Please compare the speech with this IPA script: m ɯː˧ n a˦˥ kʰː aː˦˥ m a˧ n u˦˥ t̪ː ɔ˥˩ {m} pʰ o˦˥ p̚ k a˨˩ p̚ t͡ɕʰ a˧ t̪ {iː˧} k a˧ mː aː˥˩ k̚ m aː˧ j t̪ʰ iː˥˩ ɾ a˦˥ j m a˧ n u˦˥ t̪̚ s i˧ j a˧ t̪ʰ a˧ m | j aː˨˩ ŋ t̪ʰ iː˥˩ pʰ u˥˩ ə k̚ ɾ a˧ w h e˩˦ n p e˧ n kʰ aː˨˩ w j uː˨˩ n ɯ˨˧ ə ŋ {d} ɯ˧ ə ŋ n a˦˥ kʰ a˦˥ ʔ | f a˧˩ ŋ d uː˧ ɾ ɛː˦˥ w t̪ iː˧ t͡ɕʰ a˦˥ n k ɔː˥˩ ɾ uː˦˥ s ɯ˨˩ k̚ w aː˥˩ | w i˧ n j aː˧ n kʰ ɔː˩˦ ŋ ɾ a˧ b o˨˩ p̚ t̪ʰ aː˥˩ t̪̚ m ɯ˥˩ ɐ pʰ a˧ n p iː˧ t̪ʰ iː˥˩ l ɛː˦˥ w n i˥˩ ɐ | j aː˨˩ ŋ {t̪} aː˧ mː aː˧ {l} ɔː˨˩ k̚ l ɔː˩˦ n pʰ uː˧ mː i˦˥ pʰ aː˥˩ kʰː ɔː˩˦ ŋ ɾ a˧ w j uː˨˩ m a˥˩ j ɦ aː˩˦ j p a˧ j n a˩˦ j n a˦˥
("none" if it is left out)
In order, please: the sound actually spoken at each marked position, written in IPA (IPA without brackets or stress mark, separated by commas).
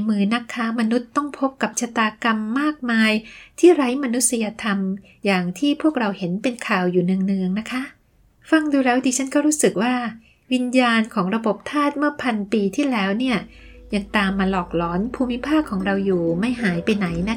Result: ŋ, aː˧, n, t̪, l